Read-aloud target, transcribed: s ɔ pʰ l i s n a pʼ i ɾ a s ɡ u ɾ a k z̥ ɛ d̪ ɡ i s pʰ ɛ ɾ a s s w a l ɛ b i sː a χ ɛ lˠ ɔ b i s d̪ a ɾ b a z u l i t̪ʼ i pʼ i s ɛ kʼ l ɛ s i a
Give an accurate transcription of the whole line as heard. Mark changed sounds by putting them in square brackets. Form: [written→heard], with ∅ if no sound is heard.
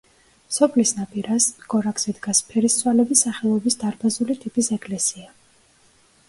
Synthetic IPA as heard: s ɔ pʰ l i s n a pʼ i ɾ a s ɡ [u→ɔ] ɾ a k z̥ ɛ d̪ ɡ [i→a] s pʰ ɛ ɾ [a→i] s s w a l ɛ b i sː a χ ɛ lˠ ɔ b i s d̪ a ɾ b a z u l i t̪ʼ i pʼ i s ɛ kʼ l ɛ s i a